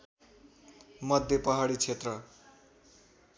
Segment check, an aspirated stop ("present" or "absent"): present